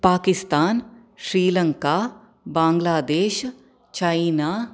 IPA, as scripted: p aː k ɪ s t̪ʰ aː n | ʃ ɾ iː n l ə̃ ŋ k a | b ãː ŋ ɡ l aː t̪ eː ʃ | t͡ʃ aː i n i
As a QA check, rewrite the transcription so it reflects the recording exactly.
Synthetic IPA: p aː k ɪ s t̪ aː n | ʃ ɾ iː l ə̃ ŋ k a | b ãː ŋ ɡ l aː d̪ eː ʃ | t͡ʃ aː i n a